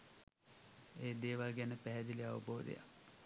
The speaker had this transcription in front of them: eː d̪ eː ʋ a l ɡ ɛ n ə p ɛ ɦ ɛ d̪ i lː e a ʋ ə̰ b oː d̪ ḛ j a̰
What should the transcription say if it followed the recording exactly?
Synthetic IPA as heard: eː d̪ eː ʋ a l ɡ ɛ n ə p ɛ ɦ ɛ d̪ i l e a ʋ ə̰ b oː d̪ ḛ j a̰

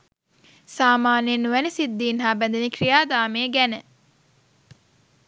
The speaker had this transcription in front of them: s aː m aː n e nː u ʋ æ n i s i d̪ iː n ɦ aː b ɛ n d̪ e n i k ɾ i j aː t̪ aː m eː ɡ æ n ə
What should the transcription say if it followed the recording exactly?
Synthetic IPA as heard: s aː m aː n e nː u ʋ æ n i s i d̪ː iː n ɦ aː b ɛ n d̪ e n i k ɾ i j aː d̪ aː m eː ɡ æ n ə

